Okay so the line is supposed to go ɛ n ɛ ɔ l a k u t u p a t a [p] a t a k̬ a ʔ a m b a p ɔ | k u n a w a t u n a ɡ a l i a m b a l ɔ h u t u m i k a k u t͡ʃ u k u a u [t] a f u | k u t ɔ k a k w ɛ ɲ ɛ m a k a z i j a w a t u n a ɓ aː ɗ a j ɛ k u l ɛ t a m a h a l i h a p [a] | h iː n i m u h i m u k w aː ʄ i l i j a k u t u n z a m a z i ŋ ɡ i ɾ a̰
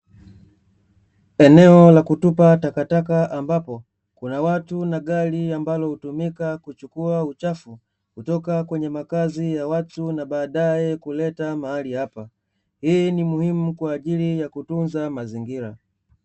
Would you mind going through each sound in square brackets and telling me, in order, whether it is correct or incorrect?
incorrect, incorrect, correct

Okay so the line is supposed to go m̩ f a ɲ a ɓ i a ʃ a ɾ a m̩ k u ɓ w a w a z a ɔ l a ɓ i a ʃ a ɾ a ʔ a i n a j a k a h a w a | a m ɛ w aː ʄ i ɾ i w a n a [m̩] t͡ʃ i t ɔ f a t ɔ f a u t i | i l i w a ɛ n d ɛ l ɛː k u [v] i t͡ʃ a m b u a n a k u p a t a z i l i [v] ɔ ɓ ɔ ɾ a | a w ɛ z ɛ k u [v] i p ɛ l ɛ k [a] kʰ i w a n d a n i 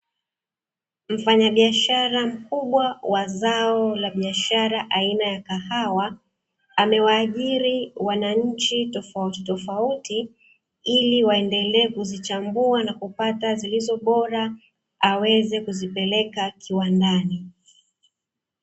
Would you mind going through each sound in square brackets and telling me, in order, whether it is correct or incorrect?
incorrect, incorrect, incorrect, incorrect, correct

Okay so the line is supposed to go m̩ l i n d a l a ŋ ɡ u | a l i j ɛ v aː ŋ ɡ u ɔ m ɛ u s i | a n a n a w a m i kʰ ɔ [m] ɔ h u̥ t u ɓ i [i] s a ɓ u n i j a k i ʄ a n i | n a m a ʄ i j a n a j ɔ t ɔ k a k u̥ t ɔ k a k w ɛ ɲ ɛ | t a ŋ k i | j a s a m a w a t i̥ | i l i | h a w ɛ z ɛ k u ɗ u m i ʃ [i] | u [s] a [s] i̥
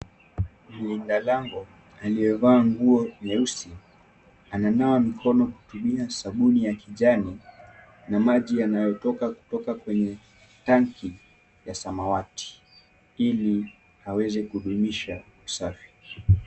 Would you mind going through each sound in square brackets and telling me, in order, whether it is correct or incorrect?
incorrect, incorrect, incorrect, correct, incorrect

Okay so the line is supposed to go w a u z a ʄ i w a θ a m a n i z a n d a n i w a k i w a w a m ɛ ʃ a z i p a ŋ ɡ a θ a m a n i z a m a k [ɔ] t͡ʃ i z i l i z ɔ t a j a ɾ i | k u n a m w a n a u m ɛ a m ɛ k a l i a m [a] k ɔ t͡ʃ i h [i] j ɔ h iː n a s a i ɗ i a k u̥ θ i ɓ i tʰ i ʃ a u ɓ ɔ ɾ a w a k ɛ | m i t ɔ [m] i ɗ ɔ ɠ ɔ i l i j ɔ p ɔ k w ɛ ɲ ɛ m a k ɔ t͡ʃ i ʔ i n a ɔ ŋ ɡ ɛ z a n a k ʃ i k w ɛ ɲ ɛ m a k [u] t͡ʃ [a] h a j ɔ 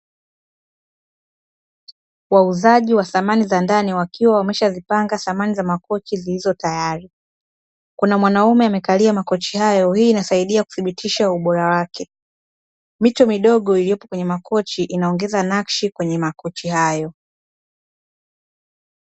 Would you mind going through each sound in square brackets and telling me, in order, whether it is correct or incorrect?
correct, correct, incorrect, correct, incorrect, incorrect

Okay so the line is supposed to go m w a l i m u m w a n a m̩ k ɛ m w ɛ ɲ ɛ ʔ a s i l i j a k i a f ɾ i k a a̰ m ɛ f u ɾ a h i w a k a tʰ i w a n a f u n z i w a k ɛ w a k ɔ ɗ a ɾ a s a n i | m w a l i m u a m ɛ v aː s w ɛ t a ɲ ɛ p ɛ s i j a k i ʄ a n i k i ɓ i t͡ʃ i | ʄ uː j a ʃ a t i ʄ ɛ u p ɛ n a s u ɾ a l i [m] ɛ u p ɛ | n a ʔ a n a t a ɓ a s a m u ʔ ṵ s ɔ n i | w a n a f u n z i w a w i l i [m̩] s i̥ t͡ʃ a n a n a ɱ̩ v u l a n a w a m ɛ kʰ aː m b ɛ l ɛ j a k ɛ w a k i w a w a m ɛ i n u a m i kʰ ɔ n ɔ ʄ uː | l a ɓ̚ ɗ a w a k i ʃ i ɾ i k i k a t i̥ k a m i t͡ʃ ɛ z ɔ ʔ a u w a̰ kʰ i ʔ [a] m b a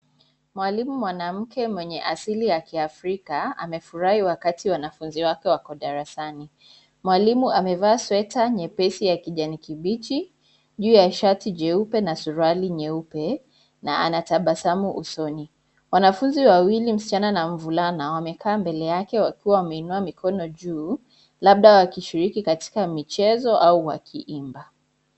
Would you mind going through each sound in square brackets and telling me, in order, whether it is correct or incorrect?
incorrect, correct, incorrect

